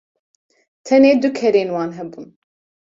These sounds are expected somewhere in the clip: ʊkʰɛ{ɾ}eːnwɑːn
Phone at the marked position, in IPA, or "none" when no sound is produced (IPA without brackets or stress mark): ɾ